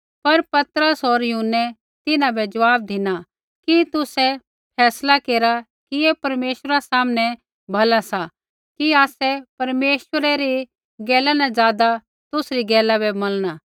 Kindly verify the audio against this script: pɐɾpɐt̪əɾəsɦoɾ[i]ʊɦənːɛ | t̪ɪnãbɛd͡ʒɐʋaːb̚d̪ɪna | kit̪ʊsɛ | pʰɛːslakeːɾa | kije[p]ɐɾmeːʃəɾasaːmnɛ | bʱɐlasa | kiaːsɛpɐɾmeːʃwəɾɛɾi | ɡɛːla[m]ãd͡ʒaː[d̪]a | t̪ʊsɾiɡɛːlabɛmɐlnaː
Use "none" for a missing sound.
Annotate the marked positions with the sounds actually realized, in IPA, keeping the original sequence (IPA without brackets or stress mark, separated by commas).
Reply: j, p, n, d̪